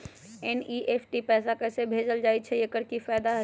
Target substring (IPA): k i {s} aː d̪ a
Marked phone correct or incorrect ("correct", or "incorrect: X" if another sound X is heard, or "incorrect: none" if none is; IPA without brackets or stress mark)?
incorrect: f